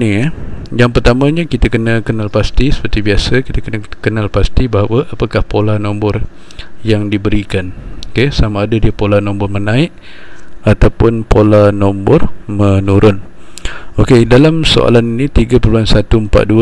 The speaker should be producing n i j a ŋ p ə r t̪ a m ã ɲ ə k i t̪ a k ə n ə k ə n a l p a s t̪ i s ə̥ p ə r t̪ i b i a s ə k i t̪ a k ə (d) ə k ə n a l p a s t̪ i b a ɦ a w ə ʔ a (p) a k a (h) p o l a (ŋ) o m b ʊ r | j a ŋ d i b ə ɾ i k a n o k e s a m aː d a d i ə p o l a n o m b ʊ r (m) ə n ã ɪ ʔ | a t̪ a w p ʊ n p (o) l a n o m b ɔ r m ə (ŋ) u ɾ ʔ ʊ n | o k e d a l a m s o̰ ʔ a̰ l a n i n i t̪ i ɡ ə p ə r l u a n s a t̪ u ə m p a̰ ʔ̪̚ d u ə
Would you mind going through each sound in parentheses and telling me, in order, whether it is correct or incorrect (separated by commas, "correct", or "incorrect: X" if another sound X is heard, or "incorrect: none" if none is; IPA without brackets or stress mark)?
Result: incorrect: n, correct, correct, incorrect: n, correct, correct, incorrect: n